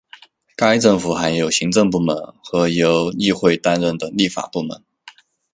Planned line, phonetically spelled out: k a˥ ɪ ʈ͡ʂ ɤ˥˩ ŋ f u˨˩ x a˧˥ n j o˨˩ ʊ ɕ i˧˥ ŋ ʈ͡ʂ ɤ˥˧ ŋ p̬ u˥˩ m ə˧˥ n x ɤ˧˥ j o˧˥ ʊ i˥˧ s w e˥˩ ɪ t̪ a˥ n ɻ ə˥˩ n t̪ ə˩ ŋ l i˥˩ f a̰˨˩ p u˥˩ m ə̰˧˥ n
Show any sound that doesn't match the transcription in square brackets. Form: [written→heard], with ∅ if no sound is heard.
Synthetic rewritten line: k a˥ ɪ ʈ͡ʂ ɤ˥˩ ŋ f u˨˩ x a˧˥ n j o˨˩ ʊ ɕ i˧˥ ŋ ʈ͡ʂ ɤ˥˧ ŋ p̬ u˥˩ m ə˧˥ n x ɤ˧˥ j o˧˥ ʊ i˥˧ [s→x] w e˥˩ ɪ t̪ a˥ n ɻ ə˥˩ n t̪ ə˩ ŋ l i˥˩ f a̰˨˩ p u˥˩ m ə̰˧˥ n